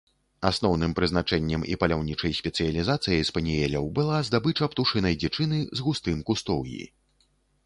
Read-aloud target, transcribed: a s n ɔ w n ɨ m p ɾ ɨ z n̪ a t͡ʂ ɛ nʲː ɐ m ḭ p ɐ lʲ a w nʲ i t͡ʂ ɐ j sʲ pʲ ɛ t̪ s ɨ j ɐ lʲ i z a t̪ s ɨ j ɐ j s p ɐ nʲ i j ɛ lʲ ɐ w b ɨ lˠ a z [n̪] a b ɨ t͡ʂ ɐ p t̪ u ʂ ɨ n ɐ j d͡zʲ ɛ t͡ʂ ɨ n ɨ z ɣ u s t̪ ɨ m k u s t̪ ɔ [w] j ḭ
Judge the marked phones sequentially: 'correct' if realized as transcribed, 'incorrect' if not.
incorrect: d̪, correct

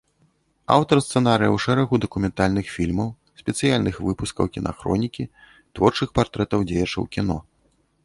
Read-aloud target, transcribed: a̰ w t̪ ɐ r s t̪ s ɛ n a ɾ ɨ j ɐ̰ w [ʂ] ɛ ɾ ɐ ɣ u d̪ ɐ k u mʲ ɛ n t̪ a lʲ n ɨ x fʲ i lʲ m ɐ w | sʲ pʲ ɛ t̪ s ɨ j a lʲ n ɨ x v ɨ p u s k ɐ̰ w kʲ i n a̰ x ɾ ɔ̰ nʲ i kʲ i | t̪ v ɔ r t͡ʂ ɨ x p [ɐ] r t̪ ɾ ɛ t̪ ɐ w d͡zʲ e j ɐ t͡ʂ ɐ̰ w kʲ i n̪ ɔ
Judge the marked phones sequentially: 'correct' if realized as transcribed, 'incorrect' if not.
correct, incorrect: a

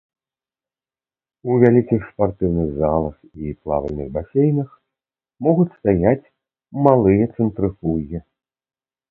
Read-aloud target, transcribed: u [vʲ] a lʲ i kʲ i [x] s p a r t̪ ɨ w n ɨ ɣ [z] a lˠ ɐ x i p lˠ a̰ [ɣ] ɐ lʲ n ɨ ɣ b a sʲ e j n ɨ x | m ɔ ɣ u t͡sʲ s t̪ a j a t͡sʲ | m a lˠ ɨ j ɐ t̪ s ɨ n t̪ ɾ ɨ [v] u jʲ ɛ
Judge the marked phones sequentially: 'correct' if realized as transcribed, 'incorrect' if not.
correct, correct, correct, incorrect: v, incorrect: f

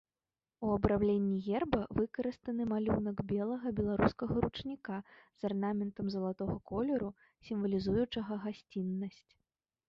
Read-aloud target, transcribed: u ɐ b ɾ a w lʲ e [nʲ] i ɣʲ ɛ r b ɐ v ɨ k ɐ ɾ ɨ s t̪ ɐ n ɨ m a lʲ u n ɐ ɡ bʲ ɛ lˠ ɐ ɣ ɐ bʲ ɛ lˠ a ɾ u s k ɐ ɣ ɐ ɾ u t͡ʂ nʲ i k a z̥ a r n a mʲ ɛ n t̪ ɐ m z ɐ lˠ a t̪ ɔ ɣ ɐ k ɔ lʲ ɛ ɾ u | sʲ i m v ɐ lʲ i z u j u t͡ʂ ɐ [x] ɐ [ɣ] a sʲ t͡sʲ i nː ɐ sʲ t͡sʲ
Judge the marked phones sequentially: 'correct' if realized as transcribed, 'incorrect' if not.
incorrect: nʲː, incorrect: ɣ, correct

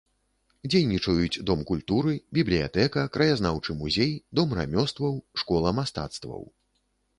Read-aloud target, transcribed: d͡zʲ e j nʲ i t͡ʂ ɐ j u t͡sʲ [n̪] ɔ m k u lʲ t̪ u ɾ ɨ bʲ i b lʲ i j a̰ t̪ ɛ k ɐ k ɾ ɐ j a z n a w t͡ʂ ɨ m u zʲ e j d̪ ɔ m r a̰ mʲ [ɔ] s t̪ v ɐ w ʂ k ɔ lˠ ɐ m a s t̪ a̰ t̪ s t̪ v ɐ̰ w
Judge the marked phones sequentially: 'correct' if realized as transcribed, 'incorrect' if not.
incorrect: d̪, correct

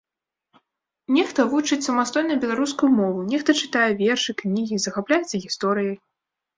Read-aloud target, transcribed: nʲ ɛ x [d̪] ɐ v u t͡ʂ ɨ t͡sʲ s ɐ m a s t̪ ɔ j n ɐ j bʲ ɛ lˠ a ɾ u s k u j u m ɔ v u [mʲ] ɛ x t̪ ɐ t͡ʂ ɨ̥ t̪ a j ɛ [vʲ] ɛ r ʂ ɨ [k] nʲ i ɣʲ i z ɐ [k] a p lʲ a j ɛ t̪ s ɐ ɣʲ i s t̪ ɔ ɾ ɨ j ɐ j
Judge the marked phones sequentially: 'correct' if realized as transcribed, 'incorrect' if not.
incorrect: t̪, incorrect: nʲ, correct, correct, incorrect: x

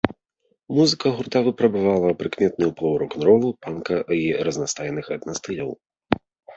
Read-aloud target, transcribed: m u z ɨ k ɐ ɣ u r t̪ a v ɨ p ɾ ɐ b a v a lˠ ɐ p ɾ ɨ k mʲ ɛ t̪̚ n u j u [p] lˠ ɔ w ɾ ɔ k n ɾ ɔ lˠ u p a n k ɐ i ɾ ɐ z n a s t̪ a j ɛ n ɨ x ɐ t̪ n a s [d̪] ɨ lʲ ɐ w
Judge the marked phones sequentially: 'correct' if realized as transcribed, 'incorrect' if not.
correct, incorrect: t̪

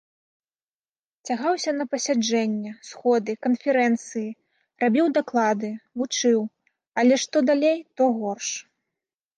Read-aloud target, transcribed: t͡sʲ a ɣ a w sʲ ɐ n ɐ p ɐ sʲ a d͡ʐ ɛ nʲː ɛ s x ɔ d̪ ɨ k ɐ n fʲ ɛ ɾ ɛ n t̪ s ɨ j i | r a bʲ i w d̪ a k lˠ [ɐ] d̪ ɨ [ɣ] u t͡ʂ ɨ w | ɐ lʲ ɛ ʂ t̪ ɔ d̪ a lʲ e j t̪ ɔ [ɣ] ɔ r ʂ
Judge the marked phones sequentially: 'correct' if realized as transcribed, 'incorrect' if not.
incorrect: a, incorrect: v, correct

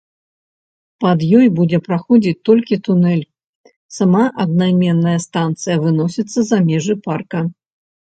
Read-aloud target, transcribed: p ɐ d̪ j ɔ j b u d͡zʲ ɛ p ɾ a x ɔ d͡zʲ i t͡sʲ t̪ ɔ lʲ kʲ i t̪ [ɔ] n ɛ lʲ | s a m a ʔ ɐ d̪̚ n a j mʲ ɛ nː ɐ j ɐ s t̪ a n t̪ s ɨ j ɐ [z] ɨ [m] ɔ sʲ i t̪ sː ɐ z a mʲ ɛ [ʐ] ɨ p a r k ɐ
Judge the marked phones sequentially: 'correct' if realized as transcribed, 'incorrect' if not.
incorrect: u, incorrect: v, incorrect: n, correct

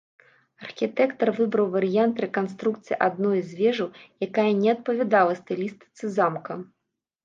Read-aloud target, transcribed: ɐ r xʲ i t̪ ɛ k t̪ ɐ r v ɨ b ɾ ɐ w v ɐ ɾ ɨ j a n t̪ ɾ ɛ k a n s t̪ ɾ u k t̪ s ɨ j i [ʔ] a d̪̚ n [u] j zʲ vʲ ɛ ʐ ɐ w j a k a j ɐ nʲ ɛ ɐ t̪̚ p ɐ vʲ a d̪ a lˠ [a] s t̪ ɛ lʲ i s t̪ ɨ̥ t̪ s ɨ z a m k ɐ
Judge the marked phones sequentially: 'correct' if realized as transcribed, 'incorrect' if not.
correct, incorrect: ɔ, incorrect: ɐ

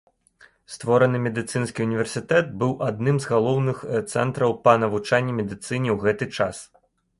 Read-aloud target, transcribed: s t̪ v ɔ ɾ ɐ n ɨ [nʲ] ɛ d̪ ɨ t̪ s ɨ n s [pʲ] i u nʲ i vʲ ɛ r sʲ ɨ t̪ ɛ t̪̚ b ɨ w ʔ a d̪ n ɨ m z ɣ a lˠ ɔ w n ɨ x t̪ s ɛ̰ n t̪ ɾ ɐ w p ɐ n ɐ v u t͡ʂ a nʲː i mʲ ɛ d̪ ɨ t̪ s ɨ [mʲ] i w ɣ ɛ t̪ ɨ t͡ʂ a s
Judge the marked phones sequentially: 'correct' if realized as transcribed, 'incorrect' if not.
incorrect: mʲ, incorrect: kʲ, incorrect: nʲ

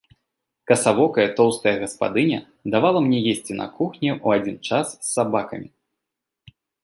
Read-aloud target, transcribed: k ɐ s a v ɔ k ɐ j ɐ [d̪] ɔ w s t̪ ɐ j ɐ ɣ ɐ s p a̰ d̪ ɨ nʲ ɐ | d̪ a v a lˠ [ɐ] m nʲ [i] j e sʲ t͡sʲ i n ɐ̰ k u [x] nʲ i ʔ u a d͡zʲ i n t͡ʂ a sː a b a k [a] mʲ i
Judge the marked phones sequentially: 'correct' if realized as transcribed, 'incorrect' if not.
incorrect: t̪, correct, incorrect: ɛ, correct, incorrect: ɐ

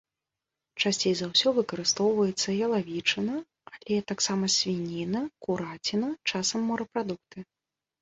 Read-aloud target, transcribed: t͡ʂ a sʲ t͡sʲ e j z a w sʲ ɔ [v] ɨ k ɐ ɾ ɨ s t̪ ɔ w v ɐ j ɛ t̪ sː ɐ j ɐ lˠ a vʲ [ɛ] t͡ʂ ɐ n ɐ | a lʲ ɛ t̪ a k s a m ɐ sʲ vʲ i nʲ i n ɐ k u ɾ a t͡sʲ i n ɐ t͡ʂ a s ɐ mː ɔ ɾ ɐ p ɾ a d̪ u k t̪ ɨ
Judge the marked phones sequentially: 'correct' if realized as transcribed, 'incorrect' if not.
correct, incorrect: i

